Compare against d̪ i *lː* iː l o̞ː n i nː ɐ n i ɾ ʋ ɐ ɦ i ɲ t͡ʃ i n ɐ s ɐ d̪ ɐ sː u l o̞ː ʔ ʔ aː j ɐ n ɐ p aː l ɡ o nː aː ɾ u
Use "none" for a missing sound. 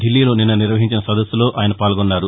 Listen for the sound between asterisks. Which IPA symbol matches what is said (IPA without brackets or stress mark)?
lː